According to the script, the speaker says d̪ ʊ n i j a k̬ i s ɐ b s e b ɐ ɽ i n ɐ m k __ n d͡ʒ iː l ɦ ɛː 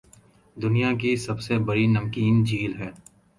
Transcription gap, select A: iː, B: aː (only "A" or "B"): A